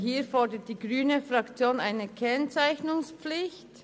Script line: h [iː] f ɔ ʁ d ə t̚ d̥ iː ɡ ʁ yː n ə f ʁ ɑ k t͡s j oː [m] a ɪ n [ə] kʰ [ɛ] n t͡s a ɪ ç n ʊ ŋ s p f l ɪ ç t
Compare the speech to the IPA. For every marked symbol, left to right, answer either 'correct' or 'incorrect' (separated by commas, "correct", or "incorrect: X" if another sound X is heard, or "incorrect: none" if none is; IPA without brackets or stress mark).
correct, incorrect: n, correct, correct